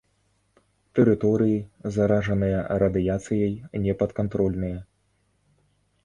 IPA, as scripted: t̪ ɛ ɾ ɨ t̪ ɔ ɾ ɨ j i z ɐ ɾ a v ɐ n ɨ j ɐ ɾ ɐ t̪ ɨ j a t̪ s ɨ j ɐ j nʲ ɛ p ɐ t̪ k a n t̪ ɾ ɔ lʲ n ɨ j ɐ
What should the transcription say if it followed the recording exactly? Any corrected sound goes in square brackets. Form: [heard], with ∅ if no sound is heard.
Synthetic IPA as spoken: t̪ ɛ ɾ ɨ t̪ ɔ ɾ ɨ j i z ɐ ɾ a [ʐ] ɐ n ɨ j ɐ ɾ ɐ [d̪] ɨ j a t̪ s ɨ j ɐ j nʲ ɛ p ɐ t̪ k a n t̪ ɾ ɔ lʲ n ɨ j ɐ